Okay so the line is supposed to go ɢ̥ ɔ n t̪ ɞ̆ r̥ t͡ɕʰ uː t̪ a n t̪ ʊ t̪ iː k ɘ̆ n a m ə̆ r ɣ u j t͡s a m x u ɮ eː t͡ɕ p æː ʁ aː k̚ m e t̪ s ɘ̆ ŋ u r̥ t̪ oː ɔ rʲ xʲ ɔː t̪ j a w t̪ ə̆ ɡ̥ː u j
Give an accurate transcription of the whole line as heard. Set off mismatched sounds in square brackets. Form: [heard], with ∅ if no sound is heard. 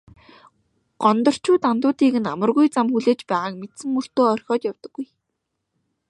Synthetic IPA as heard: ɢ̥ ɔ n t̪ ɞ̆ r̥ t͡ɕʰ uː t̪ a n t̪ [ʊː] t̪ iː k ɘ̆ n a m ə̆ r ɣ u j t͡s a m x u ɮ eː t͡ɕ p æː ʁ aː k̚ m e t̪ s ɘ̆ ŋ u r̥ t̪ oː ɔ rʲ xʲ ɔː t̪ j a w t̪ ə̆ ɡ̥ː u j